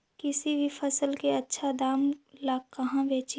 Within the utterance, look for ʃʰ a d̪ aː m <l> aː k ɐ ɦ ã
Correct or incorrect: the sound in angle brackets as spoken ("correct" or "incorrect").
correct